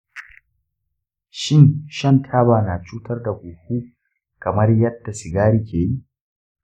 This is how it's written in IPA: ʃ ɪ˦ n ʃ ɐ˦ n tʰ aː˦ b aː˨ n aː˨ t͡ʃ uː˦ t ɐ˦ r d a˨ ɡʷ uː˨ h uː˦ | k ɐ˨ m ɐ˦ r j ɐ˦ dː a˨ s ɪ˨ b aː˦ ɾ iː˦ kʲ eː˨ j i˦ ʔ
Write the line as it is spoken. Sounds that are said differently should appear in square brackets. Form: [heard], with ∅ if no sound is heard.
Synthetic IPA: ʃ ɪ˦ n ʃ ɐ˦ n tʰ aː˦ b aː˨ n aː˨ t͡ʃ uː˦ t ɐ˦ r d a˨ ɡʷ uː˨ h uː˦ | k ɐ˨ m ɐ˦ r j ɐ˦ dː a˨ s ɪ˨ [ɡ] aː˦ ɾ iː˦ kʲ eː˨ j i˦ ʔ